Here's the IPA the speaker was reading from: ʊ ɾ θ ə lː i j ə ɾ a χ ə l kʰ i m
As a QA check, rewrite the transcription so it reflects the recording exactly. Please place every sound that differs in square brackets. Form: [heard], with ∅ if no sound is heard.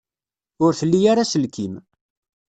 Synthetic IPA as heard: ʊ ɾ θ ə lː i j [a] ɾ a [s] ə l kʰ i m